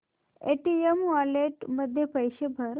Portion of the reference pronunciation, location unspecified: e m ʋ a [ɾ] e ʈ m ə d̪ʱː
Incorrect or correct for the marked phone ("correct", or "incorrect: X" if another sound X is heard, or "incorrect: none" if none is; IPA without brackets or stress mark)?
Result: incorrect: l